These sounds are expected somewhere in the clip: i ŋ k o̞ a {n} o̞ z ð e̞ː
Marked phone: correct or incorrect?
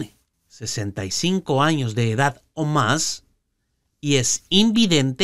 incorrect